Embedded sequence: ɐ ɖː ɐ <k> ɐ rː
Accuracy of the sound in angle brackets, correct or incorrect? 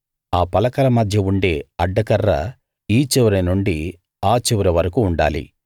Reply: correct